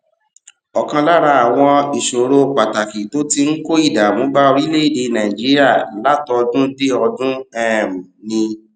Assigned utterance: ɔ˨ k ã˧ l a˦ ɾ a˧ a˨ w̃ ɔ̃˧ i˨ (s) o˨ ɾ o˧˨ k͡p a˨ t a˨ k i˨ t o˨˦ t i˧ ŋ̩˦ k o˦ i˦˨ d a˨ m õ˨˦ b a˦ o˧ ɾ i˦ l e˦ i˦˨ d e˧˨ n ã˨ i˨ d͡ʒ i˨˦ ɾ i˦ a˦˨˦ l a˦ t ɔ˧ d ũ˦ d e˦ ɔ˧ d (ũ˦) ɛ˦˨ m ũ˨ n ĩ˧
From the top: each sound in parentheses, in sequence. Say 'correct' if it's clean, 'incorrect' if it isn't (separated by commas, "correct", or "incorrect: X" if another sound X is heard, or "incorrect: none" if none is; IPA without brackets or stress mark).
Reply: incorrect: ʃ, correct